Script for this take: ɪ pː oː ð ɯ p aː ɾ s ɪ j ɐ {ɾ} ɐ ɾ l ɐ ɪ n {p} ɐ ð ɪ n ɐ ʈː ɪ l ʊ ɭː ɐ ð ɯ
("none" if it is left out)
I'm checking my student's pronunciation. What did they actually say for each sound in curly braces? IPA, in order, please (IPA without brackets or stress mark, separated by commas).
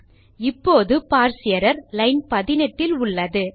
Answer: ɾ, p